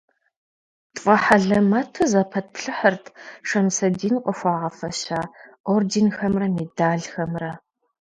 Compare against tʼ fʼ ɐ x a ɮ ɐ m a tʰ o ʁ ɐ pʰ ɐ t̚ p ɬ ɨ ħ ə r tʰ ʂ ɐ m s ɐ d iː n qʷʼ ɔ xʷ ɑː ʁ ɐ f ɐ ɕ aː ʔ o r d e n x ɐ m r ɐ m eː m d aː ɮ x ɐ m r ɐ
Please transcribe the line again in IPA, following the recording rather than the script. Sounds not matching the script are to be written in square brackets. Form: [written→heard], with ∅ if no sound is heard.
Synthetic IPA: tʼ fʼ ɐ [x→ħ] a ɮ ɐ m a tʰ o [ʁ→z] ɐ pʰ ɐ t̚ p ɬ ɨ ħ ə r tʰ ʂ ɐ m s ɐ d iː n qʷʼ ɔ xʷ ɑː ʁ ɐ f ɐ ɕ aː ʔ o r d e n x ɐ m r ɐ m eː [m→∅] d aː ɮ x ɐ m r ɐ